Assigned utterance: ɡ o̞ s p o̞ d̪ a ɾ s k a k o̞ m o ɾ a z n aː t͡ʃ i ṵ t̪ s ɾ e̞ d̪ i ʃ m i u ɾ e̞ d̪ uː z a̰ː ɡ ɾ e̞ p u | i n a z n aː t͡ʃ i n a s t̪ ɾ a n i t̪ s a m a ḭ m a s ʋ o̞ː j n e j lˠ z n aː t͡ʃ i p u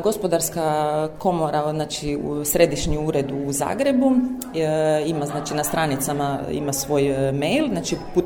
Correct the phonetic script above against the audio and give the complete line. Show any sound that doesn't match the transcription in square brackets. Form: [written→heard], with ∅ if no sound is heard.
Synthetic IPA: ɡ o̞ s p o̞ d̪ a ɾ s k a k o̞ m o ɾ a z n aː t͡ʃ i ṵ [t̪→∅] s ɾ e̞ d̪ i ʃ [m→ɲ] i u ɾ e̞ d̪ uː z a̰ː ɡ ɾ e̞ [p→b] u | i [n→m] a z n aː t͡ʃ i n a s t̪ ɾ a n i t̪ s a m a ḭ m a s ʋ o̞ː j [n→m] e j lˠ z n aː t͡ʃ i p u